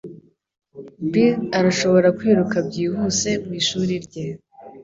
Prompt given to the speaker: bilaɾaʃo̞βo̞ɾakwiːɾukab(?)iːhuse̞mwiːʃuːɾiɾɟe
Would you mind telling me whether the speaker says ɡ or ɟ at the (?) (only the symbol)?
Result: ɟ